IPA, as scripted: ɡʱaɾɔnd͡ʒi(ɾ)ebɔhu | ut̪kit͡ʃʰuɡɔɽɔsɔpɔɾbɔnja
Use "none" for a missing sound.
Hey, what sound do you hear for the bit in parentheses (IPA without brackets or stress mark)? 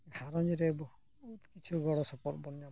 ɾ